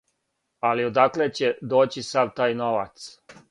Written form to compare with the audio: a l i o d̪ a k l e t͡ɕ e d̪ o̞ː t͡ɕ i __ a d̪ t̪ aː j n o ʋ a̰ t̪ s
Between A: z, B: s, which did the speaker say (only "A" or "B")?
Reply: B